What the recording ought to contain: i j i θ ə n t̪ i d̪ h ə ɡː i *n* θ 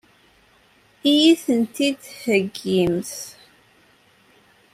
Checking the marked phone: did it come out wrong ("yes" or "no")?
yes